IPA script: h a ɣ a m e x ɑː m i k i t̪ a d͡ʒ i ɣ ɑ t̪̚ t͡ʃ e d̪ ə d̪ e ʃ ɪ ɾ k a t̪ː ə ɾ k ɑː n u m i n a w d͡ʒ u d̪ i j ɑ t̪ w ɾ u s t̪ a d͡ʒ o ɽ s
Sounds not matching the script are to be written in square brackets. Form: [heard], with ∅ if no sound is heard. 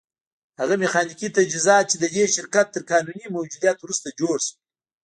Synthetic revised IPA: h a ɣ a m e x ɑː [n] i k i t̪ a d͡ʒ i [z] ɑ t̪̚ t͡ʃ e d̪ ə d̪ e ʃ ɪ ɾ k a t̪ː ə ɾ k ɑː n u [n] i [m] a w d͡ʒ u d̪ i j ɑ t̪ w ɾ u s t̪ a d͡ʒ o ɽ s

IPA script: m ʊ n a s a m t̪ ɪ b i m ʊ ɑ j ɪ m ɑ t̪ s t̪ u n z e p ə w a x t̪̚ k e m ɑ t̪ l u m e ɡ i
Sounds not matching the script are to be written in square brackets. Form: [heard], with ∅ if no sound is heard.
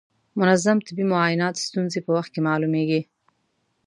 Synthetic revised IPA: m ʊ n a [z] a m t̪ ɪ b i m ʊ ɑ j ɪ [n] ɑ t̪ s t̪ u n z e p ə w a x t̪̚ k e m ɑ [∅] l u m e ɡ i

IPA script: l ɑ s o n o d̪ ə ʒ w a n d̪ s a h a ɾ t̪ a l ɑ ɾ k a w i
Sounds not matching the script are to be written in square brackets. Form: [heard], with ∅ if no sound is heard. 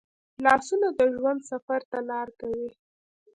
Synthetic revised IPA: l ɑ s [u] n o d̪ ə ʒ w a n d̪ s a [f] a ɾ t̪ a l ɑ ɾ k a w i

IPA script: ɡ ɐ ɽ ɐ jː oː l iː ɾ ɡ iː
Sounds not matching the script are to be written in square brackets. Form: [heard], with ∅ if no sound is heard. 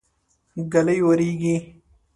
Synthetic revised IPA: ɡ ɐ [l] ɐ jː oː [ɾ] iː [∅] ɡ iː

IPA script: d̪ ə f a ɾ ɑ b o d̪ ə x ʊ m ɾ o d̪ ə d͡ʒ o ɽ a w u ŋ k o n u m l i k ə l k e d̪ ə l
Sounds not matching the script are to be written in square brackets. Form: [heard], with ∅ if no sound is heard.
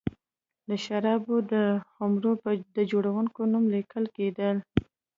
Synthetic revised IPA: d̪ ə [ʃ] a ɾ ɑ b o d̪ ə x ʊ m ɾ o d̪ ə d͡ʒ o ɽ a w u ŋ k o n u m l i k ə l k e d̪ ə l

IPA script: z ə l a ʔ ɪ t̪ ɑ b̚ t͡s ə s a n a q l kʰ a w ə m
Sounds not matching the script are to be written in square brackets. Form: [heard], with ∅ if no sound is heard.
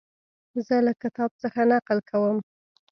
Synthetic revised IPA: z ə l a [k] ɪ t̪ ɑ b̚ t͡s ə [x] a n a q l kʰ a w ə m

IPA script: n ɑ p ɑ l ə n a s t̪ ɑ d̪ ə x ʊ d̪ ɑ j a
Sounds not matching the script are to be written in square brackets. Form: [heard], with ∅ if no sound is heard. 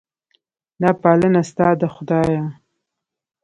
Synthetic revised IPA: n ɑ p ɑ l ə n a s t̪ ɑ d̪ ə x ʊ d̪ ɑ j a

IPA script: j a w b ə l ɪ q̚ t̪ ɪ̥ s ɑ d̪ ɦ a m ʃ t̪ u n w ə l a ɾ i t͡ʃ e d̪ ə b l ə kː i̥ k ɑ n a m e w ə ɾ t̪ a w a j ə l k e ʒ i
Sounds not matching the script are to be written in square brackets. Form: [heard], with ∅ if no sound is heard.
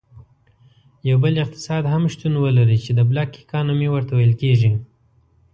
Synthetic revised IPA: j a w b ə l ɪ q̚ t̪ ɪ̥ s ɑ d̪ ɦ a m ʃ t̪ u n w ə l a ɾ i t͡ʃ e d̪ ə b l [ɑ] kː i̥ k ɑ n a m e w ə ɾ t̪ a w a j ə l k e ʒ i

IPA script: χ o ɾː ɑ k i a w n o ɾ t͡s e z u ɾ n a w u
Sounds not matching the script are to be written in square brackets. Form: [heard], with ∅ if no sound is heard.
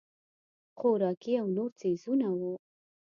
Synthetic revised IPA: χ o [ɾ] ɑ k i a w n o ɾ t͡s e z u [∅] n a w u

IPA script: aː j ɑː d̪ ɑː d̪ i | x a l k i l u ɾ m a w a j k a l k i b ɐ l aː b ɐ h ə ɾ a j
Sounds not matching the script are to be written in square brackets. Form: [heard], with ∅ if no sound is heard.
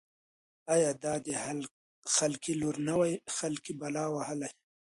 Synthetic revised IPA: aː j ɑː d̪ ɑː d̪ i | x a l k i l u ɾ [n] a w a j [x] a l k i b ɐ l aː [w] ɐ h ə [l] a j

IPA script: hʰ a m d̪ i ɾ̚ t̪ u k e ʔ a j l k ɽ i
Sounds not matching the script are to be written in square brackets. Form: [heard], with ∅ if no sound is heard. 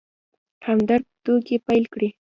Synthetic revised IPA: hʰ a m d̪ [a] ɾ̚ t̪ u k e [p] a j l k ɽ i

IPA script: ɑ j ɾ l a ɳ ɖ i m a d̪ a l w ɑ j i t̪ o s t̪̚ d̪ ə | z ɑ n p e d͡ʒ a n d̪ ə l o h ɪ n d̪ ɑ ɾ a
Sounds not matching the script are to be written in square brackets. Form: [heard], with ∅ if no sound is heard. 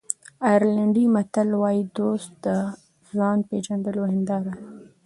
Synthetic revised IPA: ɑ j ɾ l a ɳ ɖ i m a [t̪] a l w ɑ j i [d̪] o s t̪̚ d̪ ə | z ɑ n p e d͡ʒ a n d̪ ə l o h ɪ n d̪ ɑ ɾ a

